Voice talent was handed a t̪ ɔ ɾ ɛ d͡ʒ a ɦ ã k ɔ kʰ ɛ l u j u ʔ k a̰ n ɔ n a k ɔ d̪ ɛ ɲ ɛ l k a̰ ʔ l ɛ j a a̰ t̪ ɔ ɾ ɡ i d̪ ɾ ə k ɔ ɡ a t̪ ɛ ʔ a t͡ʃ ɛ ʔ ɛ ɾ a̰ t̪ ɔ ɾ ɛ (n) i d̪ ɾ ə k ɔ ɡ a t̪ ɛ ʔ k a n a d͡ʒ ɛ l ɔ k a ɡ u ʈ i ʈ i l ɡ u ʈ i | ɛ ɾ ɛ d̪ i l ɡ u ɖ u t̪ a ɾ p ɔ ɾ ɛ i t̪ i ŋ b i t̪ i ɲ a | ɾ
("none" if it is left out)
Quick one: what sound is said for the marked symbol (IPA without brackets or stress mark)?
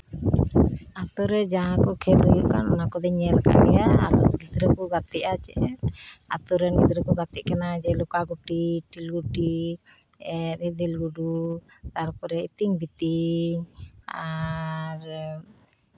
n